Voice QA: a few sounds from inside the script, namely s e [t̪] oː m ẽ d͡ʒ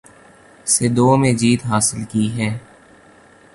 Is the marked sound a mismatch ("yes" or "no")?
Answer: yes